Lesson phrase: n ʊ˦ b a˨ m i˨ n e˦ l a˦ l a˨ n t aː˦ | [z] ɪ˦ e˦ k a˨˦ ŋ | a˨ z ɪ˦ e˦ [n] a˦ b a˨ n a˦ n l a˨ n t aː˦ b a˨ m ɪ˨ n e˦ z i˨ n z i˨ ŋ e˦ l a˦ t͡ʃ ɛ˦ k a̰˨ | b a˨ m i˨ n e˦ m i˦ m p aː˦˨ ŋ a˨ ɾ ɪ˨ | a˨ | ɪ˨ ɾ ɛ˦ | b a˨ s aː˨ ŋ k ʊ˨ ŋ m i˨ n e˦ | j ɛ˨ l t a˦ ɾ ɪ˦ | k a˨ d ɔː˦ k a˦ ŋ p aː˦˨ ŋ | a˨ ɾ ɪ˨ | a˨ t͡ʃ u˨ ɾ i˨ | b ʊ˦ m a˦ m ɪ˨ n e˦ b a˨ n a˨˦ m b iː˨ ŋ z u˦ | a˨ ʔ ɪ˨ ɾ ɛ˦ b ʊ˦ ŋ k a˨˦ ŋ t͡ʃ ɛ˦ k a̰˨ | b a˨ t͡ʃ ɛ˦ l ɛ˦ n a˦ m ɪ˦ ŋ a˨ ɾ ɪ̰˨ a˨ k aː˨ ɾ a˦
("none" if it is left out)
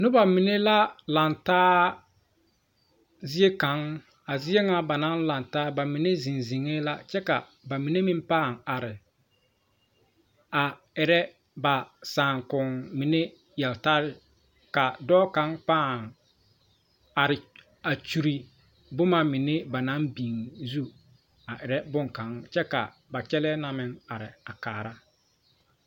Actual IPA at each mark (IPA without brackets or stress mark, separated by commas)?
z, ŋ